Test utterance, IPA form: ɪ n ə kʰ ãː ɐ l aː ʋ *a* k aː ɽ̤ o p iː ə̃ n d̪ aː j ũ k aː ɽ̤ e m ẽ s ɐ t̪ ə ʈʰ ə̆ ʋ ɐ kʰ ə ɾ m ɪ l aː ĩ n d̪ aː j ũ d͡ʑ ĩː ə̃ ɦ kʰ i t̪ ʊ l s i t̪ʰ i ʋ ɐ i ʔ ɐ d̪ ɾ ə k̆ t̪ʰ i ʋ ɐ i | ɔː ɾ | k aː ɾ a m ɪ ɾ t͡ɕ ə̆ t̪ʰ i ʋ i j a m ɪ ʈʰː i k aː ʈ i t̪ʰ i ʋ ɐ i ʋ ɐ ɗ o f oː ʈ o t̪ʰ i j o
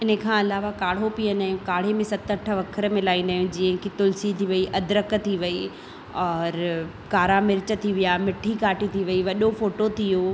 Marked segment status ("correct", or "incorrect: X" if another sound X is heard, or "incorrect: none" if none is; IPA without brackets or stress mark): correct